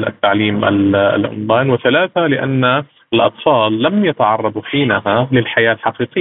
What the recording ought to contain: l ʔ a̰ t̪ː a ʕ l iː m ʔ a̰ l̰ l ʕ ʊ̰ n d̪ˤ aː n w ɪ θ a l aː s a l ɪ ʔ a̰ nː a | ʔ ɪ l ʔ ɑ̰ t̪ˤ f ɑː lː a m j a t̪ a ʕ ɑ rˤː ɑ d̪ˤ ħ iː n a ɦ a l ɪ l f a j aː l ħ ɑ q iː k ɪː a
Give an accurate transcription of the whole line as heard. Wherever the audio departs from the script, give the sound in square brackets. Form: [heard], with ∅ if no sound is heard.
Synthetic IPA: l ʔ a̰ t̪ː a ʕ l iː m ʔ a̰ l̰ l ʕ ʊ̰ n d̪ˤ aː n w ɪ θ a l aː [θ] a l ɪ ʔ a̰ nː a | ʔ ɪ l ʔ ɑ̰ t̪ˤ f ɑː lː a m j a t̪ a ʕ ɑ rˤː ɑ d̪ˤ ħ iː n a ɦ a l ɪ l [ħ] a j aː l ħ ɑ q iː [q] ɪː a